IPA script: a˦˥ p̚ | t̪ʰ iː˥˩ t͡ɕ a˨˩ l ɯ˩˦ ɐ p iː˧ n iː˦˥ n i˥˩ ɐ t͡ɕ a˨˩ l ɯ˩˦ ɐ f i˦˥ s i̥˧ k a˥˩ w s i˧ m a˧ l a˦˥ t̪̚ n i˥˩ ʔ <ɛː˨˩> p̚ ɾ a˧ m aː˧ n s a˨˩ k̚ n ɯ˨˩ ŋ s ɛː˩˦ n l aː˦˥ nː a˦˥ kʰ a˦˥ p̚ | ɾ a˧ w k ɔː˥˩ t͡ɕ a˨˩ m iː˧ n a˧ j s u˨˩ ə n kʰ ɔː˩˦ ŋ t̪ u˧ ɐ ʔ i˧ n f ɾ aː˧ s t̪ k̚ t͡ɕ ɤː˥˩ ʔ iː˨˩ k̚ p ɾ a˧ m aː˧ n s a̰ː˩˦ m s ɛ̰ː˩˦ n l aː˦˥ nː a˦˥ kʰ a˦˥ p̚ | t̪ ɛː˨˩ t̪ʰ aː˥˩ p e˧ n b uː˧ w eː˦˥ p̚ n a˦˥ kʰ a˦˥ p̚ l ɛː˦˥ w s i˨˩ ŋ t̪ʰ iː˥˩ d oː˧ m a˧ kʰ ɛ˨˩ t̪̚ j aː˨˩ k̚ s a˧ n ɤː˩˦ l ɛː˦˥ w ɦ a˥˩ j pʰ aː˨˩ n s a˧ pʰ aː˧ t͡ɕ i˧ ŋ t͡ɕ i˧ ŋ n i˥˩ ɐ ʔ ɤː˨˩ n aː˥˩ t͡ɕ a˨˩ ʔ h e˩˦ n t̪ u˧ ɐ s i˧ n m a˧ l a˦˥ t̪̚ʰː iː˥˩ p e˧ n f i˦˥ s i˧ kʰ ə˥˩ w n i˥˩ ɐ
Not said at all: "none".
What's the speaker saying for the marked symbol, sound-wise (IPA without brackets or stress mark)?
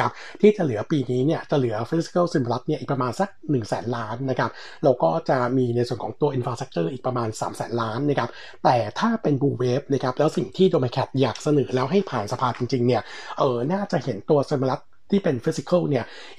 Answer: iː˨˩